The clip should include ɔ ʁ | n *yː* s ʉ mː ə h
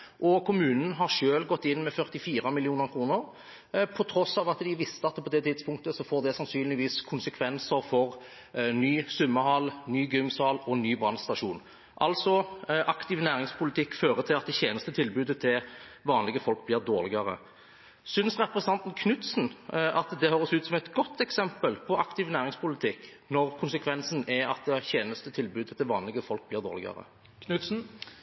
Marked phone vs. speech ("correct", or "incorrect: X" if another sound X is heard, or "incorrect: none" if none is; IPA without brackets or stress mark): correct